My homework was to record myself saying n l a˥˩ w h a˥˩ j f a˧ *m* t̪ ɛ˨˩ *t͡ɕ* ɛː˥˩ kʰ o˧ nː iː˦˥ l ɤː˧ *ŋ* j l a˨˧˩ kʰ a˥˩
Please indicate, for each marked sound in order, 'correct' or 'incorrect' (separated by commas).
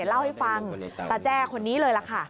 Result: incorrect, correct, incorrect